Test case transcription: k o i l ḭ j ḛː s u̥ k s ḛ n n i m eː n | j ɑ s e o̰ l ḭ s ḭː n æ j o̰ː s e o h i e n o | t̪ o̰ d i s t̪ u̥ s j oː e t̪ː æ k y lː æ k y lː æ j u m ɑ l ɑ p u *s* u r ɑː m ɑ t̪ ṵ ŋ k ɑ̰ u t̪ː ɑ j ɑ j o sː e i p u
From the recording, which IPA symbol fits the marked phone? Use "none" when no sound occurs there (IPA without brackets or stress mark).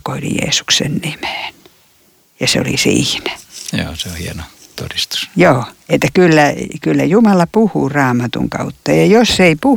h